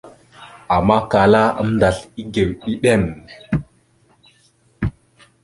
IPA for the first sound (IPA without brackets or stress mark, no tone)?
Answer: a